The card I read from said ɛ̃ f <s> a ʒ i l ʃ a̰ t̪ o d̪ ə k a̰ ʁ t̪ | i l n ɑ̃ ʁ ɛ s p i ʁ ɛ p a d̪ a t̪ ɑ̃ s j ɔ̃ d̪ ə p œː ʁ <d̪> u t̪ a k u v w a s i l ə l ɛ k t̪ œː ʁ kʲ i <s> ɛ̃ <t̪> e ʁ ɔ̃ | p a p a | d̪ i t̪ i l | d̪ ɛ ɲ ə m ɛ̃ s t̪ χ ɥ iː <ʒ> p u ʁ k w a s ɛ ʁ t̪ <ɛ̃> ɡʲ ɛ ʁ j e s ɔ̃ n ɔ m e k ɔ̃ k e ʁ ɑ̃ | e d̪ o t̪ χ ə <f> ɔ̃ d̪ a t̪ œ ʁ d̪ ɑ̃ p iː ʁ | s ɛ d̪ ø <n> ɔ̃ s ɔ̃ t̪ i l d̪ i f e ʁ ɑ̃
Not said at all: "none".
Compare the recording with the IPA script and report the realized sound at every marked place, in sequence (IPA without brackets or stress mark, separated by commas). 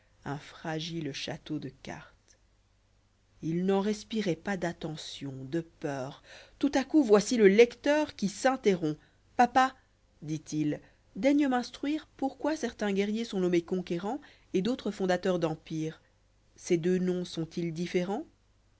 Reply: χ, t̪, s, t̪, ʁ, ɛ̃, f, n